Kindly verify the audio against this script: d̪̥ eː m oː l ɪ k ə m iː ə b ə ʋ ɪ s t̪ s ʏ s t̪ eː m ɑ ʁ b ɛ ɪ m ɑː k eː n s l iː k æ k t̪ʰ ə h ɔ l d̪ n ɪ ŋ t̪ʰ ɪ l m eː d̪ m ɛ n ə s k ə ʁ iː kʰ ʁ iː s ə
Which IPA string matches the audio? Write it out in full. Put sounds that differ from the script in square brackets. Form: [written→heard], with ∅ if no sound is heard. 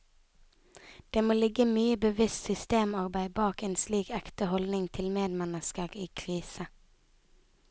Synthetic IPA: d̪̥ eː m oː l ɪ [k→ɡ] ə m [iː→yː] ə b ə ʋ ɪ s t̪ s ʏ s t̪ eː m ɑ ʁ b [ɛ→æ] ɪ [m→b] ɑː k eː n s l iː k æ k [t̪ʰ→t̪] ə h ɔ l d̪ n ɪ ŋ t̪ʰ ɪ l m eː d̪ m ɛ n ə s k ə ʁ iː kʰ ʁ iː s ə